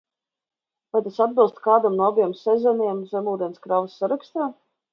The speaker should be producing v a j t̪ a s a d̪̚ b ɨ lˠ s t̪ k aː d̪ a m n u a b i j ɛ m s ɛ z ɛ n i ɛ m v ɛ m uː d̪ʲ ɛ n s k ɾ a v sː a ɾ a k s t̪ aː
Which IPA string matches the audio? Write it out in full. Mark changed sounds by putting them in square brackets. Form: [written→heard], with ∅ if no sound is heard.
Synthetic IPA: v a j t̪ a s a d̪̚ b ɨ lˠ s t̪ k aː d̪ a m n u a b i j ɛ m s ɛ z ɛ n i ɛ m [v→z] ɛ m uː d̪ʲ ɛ n s k ɾ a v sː a ɾ a k s t̪ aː